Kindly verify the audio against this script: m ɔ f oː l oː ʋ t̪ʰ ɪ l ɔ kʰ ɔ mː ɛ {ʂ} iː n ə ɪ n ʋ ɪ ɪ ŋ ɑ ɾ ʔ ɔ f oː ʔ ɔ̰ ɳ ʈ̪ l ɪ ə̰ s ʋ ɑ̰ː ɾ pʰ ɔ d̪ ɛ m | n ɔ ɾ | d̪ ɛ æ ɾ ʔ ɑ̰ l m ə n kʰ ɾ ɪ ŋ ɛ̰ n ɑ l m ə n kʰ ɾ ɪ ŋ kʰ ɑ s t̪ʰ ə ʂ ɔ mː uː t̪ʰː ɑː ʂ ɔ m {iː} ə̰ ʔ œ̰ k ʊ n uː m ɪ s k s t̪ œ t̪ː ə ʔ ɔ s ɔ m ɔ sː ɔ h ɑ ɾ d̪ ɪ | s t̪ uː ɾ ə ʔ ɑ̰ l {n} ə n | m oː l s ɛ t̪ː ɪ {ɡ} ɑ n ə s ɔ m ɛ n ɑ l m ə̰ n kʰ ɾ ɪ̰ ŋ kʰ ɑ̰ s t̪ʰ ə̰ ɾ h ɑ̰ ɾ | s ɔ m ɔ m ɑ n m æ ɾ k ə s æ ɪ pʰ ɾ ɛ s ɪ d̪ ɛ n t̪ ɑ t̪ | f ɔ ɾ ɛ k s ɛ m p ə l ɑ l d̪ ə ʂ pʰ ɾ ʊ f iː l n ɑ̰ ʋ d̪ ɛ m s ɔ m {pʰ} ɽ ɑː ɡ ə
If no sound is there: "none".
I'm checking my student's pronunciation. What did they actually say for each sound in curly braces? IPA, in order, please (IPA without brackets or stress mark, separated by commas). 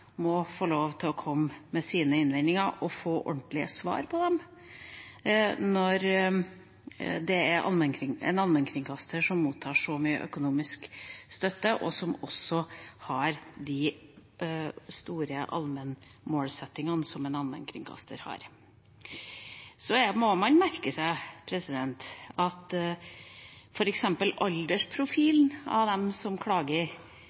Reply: s, yː, m, ŋ, kʰ